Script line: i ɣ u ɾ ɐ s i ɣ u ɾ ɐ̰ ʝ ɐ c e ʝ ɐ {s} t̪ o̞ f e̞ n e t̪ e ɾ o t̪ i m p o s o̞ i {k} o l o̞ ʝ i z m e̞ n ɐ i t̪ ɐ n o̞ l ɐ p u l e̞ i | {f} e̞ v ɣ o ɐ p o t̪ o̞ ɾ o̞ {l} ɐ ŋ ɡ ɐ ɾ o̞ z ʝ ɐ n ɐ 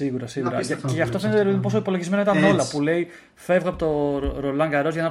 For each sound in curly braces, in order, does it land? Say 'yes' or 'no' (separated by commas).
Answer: no, no, yes, yes